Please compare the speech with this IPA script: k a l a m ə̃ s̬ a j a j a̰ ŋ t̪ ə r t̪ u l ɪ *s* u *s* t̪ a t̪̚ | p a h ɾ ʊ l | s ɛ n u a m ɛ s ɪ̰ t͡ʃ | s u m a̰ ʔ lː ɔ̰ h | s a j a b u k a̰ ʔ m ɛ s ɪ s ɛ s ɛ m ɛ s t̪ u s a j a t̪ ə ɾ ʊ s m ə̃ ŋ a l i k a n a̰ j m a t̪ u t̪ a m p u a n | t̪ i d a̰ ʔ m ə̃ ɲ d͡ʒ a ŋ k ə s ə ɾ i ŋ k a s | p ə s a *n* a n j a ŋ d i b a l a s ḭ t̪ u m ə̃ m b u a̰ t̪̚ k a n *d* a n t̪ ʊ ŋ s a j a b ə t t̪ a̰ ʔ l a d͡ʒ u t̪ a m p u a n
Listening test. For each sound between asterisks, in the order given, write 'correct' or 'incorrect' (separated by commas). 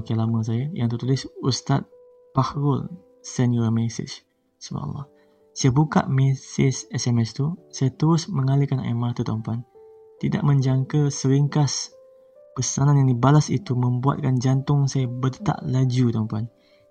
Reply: correct, correct, correct, incorrect